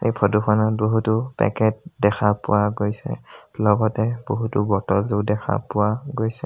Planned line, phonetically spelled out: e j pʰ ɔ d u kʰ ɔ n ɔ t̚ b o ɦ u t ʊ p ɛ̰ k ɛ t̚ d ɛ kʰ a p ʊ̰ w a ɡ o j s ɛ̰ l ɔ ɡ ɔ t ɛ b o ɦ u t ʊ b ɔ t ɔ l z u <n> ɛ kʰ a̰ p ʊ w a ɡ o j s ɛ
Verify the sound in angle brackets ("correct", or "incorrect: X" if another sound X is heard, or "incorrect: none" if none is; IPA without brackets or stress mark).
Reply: incorrect: d